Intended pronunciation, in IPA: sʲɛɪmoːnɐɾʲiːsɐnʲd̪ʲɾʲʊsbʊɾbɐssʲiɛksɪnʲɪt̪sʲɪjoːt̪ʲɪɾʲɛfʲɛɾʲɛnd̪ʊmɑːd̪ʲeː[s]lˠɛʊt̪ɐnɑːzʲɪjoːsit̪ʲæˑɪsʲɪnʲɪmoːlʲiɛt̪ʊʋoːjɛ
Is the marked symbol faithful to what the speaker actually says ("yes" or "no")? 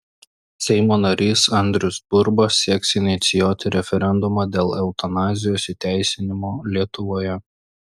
no